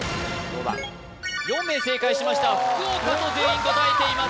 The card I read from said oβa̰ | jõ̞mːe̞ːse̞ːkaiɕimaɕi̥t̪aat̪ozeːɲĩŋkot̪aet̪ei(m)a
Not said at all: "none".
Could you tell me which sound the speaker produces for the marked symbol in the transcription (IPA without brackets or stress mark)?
m